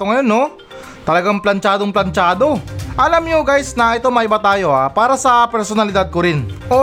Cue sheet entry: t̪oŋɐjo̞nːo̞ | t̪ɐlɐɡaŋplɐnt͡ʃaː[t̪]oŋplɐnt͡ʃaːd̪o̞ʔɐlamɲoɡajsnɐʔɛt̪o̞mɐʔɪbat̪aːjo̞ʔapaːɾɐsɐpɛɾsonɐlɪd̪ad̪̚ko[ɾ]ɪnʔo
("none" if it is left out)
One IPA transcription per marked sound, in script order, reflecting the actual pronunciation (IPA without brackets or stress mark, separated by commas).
d̪, ɾ